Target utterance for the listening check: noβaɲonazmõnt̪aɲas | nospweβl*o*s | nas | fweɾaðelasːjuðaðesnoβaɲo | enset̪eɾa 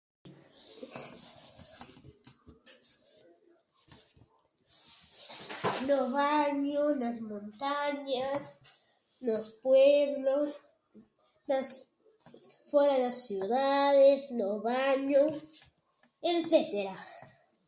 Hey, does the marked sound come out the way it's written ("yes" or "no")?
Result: yes